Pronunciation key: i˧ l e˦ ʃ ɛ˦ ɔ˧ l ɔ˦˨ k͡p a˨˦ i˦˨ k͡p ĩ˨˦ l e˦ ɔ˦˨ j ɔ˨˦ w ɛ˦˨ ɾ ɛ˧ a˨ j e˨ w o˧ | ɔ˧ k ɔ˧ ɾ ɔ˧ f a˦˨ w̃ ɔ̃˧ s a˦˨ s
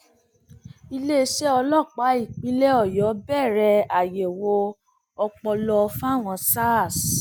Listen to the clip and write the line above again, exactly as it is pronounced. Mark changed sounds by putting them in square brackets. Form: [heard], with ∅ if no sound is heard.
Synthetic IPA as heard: i˧ l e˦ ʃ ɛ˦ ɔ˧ l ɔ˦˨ k͡p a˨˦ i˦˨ k͡p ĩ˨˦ l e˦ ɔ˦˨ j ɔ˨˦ [b] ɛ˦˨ ɾ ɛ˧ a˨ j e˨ w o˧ | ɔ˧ [k͡p] ɔ˧ [l] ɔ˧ f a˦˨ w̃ ɔ̃˧ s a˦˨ s